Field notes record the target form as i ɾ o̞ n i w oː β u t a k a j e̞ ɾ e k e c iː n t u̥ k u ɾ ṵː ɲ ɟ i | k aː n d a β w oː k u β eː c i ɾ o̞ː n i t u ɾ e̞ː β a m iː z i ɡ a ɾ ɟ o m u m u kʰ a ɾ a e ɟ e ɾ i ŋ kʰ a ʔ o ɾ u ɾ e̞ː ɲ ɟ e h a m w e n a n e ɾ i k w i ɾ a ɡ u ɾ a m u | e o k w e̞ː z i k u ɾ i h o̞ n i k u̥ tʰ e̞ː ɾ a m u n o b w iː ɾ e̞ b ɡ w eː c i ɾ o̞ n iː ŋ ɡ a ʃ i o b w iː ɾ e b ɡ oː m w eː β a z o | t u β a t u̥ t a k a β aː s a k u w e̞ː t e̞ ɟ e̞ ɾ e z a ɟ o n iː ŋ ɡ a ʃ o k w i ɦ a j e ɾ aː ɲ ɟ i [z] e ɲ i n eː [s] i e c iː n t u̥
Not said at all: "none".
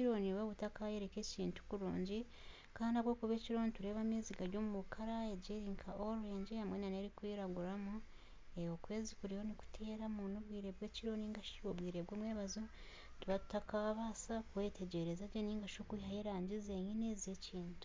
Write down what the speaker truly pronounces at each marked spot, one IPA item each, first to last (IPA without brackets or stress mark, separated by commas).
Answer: z, z